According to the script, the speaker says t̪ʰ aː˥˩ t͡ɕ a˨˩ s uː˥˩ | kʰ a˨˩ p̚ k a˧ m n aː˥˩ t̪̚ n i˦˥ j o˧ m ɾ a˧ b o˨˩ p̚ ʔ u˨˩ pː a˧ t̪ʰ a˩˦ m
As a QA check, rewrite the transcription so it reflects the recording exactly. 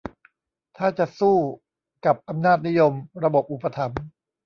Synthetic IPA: t̪ʰ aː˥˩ t͡ɕ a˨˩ s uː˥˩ | k a˨˩ p̚ ʔ a˧ m n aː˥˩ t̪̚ n i˦˥ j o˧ m ɾ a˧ b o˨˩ p̚ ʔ u˨˩ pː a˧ t̪ʰ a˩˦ m